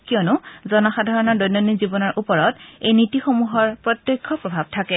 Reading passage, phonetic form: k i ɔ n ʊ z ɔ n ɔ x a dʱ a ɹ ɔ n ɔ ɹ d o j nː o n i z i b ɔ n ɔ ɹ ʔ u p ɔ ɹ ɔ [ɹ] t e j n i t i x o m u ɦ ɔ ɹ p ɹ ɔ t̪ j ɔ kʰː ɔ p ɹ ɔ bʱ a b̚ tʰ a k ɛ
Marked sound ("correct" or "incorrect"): incorrect